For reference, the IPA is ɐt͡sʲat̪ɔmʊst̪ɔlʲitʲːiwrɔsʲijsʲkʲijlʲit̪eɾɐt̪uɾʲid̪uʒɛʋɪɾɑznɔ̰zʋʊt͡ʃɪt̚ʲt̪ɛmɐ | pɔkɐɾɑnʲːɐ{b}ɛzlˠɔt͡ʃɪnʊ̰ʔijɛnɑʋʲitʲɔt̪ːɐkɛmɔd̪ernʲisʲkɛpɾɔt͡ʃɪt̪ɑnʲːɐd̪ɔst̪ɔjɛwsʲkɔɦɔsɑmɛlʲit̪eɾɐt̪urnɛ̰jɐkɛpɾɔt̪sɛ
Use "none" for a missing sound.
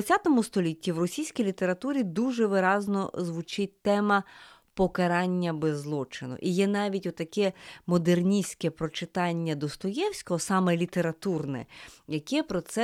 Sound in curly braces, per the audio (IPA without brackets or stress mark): b